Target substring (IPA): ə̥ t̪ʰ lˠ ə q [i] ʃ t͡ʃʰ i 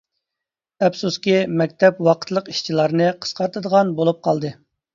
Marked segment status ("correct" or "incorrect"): correct